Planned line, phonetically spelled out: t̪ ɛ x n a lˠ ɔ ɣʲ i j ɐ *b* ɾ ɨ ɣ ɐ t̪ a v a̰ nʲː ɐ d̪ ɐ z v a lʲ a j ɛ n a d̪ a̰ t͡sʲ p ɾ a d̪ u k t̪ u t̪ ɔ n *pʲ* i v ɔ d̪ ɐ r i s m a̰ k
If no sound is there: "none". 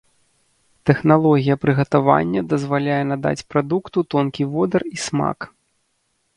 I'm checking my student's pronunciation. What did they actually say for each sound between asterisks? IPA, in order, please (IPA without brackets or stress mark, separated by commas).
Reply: p, kʲ